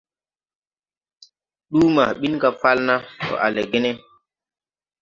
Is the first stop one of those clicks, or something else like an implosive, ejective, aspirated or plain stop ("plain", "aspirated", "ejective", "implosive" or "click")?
implosive